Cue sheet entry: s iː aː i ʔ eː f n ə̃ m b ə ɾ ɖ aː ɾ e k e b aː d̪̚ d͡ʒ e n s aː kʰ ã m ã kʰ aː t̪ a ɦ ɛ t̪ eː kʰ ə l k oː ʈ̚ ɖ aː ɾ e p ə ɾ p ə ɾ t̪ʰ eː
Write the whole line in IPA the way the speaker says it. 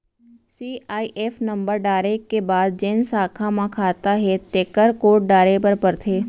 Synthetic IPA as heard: s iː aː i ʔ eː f n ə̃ m b ə ɾ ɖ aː ɾ e k e b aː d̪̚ d͡ʒ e n s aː kʰ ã m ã kʰ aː t̪ a ɦ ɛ t̪ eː k ə ɾ k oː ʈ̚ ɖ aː ɾ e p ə ɾ p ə ɾ t̪ʰ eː

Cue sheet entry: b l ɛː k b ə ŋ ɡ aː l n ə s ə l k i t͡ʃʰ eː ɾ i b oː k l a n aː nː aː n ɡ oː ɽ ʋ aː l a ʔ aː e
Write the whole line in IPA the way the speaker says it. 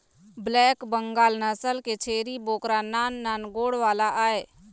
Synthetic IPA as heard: b l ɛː k b ə ŋ ɡ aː l n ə s ə l k e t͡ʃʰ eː ɾ i b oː k ɾ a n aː nː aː n ɡ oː ɽ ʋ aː l a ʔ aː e

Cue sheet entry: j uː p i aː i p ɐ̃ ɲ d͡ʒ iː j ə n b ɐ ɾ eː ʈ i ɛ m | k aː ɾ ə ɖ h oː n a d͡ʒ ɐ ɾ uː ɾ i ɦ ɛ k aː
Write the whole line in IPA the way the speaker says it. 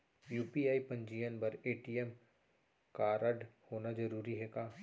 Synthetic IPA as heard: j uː p i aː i p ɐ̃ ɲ d͡ʒ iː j ə n b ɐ ɾ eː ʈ i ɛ m | k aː ɾ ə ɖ h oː n a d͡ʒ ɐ ɾ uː ɾ i ɦ ɛ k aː

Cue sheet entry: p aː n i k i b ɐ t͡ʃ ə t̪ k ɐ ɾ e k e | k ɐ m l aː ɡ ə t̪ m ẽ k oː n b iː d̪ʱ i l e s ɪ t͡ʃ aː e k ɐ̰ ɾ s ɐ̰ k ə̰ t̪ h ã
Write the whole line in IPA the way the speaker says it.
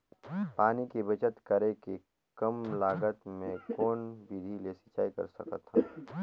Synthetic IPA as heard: p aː n i k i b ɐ t͡ʃ ə t̪ k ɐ ɾ e k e | k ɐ m l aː ɡ ə t̪ m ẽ k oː n b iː d̪ʱ i l e s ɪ t͡ʃ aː i k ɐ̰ ɾ s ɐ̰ k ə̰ t̪ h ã

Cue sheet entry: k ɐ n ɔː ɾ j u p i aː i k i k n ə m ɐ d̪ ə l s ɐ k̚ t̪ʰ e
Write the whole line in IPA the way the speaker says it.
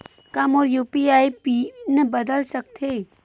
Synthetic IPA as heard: k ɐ m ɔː ɾ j u p i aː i p i n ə b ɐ d̪ ə l s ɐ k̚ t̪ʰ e

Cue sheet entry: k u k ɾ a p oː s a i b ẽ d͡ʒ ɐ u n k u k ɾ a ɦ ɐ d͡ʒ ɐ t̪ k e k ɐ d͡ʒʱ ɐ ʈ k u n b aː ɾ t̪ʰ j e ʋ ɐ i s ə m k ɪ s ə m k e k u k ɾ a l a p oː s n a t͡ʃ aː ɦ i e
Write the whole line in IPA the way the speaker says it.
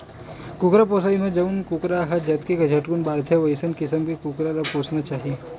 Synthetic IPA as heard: k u k ɾ a p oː s a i m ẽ d͡ʒ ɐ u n k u k ɾ a ɦ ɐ d͡ʒ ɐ t̪ k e k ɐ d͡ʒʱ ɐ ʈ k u n b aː ɾ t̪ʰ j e ʋ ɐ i s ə n k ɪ s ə m k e k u k ɾ a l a p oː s n a t͡ʃ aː ɦ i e

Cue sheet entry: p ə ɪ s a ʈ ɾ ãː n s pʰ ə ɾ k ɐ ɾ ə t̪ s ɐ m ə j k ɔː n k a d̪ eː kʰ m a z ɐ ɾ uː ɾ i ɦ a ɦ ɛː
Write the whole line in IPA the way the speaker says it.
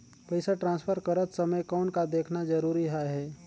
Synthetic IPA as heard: p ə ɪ s a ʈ ɾ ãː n s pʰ ə ɾ k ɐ ɾ ə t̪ s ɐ m ə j k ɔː n k a d̪ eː kʰ n a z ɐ ɾ uː ɾ i ɦ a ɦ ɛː

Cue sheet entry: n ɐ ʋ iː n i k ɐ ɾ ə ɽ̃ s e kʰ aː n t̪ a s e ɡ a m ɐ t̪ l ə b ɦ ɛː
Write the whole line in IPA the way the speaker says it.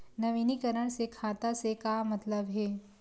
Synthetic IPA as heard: n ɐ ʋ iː n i k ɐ ɾ ə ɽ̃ s e kʰ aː t̪ a s e k a m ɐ t̪ l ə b ɦ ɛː

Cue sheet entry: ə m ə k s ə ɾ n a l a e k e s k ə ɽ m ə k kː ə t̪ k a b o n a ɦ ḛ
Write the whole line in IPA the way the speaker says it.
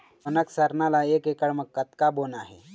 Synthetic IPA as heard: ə n ə k s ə ɾ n a l a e k e k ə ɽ m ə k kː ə t̪ k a b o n a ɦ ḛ

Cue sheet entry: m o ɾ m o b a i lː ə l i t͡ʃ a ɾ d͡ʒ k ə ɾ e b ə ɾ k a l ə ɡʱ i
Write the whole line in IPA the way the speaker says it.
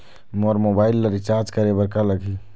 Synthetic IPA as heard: m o ɾ m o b a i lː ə ɾ i t͡ʃ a ɾ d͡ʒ k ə ɾ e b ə ɾ k a l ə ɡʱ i

